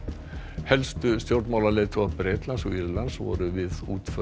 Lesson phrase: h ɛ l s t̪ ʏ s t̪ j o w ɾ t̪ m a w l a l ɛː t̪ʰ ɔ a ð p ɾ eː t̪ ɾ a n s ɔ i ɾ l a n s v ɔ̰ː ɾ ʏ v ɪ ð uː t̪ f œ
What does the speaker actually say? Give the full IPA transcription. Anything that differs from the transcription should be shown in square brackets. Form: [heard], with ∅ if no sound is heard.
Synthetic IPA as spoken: h ɛ l s t̪ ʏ s t̪ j o w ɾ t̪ m a w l a l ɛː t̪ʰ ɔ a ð p ɾ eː t̪ [l] a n s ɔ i ɾ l a n s v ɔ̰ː ɾ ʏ v ɪ ð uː t̪ f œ